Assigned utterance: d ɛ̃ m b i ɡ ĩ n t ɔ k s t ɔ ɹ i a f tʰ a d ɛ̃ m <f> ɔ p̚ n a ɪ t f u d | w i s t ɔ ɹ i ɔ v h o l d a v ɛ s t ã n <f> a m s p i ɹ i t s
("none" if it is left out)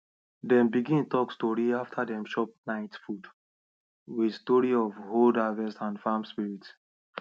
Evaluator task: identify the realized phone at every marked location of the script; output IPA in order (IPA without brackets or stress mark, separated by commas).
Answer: ʃ, f